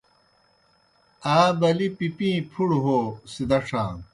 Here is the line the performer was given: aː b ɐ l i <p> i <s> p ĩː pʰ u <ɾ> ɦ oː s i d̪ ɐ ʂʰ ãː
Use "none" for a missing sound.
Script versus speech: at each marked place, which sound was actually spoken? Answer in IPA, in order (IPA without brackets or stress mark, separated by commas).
p, none, ɽ